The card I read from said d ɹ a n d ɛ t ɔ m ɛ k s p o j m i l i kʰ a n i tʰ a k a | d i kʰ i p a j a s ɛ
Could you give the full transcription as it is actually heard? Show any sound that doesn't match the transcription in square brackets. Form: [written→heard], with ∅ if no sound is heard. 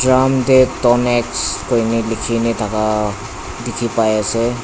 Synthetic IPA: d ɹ a [n→m] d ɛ t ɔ [m→n] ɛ k s [p→k] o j [m→n] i l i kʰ [a→i] n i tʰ a k a | d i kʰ i p a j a s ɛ